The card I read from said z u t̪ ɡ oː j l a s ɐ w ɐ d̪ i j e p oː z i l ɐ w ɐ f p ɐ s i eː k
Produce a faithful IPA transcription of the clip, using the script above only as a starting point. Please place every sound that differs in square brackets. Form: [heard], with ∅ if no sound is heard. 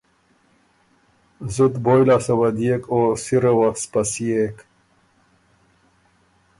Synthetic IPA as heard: z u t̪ [b] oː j l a s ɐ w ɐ d̪ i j e [k] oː [s] i [ɾ] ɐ w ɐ [s] p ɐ s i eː k